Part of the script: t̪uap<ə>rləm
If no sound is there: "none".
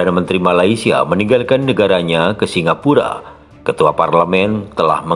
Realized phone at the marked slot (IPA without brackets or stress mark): a